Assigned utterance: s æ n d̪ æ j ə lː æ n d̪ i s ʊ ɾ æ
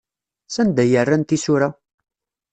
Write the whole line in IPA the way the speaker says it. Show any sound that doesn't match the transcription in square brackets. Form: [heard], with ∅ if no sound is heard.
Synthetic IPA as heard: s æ n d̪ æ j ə [rː] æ n [t̪] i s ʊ ɾ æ